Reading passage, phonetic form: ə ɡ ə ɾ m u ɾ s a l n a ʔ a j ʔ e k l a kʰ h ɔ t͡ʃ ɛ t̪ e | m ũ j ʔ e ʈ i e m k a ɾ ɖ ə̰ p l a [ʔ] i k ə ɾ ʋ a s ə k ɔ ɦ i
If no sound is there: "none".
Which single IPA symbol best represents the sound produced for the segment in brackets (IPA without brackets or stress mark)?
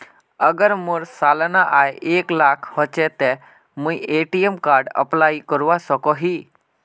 none